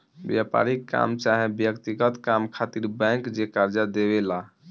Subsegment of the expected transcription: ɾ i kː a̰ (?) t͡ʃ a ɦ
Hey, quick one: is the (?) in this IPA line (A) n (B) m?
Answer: B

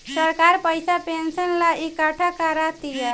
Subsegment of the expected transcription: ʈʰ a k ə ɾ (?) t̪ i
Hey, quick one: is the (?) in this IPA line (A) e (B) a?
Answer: B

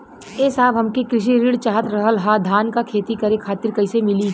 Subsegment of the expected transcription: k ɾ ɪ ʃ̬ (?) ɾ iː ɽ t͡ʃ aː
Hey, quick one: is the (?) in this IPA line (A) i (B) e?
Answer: A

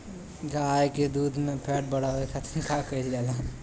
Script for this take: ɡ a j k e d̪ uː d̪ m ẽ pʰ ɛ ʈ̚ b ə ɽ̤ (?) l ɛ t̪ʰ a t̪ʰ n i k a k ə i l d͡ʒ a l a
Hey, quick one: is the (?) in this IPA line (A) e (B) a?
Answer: B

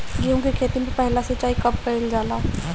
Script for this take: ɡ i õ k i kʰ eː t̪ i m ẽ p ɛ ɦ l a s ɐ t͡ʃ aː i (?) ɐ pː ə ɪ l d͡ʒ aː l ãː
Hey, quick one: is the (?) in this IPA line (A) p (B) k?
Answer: B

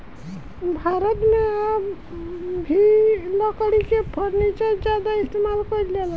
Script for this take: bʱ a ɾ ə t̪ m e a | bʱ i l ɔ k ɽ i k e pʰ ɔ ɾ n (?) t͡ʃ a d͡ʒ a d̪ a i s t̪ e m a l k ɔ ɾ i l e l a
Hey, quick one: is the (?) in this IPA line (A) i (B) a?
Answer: A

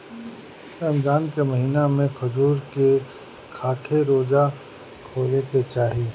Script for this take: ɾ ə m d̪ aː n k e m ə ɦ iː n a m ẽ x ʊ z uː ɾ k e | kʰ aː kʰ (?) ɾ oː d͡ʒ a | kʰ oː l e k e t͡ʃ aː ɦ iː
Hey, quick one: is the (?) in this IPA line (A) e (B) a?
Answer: A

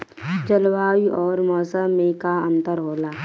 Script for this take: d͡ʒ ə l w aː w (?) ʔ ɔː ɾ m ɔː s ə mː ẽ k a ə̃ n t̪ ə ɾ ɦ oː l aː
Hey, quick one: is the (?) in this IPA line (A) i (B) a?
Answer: A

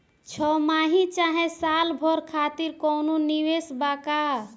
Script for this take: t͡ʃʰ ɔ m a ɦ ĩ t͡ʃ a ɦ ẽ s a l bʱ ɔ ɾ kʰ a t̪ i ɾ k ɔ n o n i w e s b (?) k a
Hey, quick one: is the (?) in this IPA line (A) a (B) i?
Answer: A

